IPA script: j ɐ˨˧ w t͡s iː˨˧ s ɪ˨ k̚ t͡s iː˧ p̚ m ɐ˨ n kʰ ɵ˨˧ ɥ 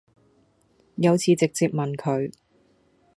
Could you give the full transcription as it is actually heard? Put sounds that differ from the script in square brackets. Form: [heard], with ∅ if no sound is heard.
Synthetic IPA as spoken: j ɐ˨˧ w [t͡sʰ] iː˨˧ [t͡s] ɪ˨ k̚ t͡s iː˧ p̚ m ɐ˨ n kʰ ɵ˨˧ ɥ